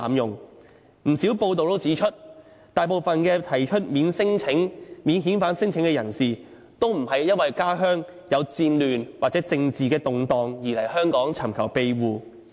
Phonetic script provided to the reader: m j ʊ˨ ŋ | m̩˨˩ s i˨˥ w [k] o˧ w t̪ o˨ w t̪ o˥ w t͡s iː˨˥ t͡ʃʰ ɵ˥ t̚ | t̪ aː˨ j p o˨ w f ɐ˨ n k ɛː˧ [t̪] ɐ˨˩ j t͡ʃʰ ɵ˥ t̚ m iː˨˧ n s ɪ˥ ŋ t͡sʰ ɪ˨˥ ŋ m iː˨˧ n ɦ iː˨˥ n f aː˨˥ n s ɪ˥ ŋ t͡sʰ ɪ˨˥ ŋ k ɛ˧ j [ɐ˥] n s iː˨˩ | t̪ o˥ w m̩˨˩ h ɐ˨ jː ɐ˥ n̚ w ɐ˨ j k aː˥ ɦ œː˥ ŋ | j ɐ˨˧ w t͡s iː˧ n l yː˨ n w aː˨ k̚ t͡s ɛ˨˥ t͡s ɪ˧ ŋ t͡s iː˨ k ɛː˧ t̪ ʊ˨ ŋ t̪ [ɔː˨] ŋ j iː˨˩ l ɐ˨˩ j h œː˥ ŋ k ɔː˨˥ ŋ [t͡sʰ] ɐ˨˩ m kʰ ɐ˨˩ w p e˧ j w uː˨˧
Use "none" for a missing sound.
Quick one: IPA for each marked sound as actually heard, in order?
p, t̪ʰ, ɐ˨˩, ɔː˨, t͡sʰ

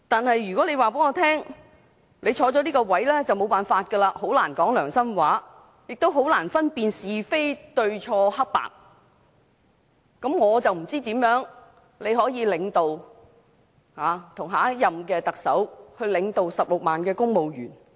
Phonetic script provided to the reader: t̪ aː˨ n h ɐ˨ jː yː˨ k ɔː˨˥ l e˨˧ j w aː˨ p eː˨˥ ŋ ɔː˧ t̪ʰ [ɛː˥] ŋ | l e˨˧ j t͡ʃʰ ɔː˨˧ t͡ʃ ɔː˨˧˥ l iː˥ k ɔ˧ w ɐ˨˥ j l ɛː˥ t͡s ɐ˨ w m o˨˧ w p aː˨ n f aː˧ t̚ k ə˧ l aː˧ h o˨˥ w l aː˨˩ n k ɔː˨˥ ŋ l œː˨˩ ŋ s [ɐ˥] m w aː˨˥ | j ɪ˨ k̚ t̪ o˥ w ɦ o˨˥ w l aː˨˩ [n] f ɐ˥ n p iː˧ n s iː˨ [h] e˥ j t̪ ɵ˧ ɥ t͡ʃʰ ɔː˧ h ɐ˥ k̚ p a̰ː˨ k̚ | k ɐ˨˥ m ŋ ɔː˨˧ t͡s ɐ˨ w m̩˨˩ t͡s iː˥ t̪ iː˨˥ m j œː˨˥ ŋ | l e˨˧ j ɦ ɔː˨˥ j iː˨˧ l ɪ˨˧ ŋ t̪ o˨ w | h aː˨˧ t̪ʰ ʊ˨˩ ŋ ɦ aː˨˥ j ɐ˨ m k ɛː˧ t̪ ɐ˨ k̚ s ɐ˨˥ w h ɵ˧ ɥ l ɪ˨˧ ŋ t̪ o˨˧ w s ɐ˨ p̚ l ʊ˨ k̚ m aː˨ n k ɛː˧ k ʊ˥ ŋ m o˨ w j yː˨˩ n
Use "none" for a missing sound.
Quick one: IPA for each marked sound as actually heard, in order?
ɛː˥, ɐ˥, n, f

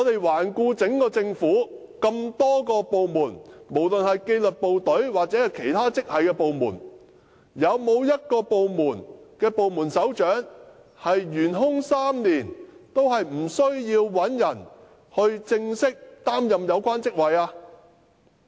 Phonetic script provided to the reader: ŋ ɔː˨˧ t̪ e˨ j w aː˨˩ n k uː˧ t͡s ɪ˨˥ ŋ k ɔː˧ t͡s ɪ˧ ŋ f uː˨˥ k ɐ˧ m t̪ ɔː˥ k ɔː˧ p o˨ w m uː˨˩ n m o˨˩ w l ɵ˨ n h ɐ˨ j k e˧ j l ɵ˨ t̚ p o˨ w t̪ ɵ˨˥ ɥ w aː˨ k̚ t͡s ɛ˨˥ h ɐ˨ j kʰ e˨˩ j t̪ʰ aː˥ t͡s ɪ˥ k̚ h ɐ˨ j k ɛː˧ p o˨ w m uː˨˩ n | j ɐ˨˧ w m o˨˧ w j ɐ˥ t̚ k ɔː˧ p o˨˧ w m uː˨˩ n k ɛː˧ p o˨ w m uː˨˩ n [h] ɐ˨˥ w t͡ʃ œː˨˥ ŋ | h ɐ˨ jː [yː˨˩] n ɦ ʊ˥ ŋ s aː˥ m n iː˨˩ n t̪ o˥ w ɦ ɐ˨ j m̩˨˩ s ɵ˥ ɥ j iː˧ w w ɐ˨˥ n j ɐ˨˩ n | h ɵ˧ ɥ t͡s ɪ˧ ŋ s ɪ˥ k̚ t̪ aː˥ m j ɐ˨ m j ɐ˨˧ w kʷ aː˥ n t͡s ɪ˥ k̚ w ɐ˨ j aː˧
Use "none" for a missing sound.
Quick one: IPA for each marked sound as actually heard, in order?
s, yː˨˩

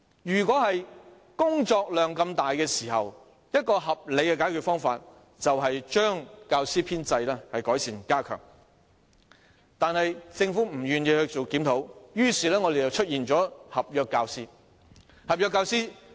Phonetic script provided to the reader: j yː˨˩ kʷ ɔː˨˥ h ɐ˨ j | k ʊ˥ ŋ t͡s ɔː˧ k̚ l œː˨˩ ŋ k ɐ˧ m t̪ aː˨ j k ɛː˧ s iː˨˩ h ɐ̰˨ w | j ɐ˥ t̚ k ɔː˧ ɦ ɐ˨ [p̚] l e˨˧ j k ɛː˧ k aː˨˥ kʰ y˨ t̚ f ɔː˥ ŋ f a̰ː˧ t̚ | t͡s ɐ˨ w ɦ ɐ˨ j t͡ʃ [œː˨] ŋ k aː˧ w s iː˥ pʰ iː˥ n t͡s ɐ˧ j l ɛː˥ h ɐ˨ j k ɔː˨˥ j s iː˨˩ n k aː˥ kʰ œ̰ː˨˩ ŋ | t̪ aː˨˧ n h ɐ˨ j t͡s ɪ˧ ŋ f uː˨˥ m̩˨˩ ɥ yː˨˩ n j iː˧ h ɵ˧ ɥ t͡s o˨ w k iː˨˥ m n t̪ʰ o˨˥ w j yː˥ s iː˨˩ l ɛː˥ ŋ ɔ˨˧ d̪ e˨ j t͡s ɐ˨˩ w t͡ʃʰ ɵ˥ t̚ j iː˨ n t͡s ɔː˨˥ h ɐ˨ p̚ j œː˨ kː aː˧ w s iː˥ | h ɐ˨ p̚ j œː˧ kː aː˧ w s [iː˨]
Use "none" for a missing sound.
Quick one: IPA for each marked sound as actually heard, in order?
p̚, œː˥, iː˥

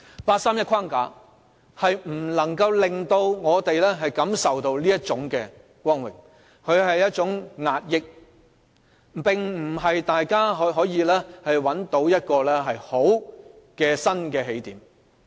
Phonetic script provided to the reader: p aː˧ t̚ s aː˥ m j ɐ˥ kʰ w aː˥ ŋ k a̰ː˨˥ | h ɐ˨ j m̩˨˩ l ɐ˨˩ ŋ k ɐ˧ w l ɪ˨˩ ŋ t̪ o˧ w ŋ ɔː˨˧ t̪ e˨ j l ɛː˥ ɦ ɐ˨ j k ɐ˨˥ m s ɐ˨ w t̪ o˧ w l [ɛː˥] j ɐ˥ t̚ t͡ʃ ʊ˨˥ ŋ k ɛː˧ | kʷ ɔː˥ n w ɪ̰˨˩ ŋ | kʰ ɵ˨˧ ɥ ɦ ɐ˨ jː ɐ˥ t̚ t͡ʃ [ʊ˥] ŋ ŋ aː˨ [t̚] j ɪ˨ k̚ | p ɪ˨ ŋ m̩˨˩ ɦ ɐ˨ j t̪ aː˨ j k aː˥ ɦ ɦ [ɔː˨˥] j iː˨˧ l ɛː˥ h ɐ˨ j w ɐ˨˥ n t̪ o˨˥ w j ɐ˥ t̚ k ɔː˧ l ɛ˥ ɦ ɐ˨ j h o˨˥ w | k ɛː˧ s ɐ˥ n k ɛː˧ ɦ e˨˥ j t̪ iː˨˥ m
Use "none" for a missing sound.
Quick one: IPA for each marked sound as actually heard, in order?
iː˥, ʊ˨˥, t̚, ɔː˨˥

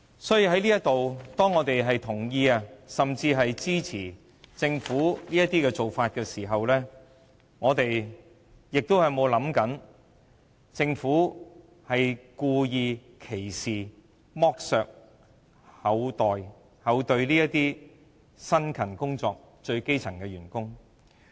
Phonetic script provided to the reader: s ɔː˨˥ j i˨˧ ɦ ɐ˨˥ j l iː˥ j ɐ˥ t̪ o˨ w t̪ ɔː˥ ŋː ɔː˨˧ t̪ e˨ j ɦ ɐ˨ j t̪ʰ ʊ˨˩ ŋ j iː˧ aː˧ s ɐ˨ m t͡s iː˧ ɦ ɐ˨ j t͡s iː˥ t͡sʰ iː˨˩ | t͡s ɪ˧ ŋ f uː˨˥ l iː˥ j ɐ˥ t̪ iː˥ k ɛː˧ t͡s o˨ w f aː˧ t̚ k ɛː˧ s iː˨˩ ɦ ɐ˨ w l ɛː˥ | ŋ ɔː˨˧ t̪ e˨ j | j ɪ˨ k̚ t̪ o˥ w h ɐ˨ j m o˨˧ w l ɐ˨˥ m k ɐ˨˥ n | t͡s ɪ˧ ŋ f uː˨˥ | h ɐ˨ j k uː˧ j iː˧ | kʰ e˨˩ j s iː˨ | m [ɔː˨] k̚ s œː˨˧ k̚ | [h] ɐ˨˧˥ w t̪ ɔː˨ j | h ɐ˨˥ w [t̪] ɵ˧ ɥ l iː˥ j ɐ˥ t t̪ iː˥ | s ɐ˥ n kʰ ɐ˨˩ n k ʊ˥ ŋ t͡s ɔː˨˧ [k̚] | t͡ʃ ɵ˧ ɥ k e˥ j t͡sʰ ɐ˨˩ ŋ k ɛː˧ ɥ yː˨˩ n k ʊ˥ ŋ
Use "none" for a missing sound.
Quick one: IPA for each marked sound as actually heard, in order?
ɔː˥, h, t̪, k̚

